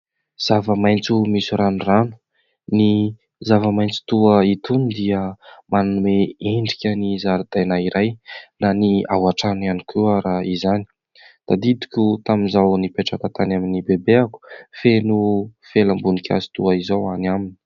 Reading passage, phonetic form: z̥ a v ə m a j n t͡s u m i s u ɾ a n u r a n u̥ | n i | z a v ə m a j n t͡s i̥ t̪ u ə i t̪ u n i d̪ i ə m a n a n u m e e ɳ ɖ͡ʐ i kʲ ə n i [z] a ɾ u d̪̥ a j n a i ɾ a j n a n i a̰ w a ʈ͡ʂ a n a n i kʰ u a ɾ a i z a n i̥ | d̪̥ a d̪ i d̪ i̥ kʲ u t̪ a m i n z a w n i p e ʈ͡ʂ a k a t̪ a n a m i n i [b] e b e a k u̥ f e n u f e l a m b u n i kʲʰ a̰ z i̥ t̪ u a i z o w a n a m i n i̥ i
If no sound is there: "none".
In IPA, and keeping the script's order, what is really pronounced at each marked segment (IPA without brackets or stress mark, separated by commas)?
z, b